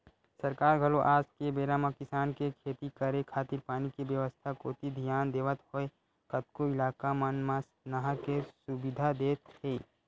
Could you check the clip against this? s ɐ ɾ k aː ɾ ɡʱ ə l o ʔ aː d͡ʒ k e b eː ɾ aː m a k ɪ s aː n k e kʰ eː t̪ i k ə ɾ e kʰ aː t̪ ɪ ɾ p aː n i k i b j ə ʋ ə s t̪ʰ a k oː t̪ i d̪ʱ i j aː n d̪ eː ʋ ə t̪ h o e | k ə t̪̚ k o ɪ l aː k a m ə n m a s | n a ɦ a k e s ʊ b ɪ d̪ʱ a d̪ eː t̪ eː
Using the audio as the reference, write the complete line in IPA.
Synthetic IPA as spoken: s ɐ ɾ k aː ɾ ɡʱ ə l o ʔ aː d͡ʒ k e b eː ɾ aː m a k ɪ s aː n k e kʰ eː t̪ i k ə ɾ e kʰ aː t̪ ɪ ɾ p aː n i k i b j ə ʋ ə s t̪ʰ a k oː t̪ i d̪ʱ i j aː n d̪ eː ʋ ə t̪ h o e | k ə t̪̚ k o ɪ l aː k a m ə n m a s | n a ɦ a k e s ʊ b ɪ d̪ʱ a d̪ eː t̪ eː